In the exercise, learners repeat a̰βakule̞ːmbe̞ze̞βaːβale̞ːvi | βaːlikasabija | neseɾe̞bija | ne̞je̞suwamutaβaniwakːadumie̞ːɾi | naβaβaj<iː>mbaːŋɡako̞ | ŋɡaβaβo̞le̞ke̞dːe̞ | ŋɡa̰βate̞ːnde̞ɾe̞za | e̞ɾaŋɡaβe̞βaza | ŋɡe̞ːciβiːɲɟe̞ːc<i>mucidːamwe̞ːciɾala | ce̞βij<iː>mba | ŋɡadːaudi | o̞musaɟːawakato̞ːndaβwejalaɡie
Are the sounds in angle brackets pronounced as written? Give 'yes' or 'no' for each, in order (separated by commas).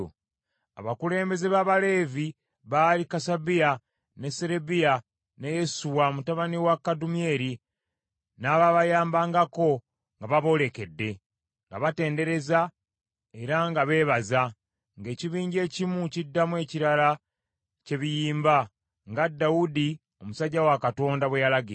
no, yes, yes